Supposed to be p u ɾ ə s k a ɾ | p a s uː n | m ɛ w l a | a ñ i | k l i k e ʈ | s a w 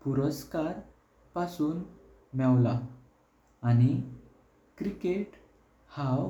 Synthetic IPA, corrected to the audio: p u ɾ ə s k a ɾ | p a s uː n | m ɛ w l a | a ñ i | k ɾ i k e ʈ | h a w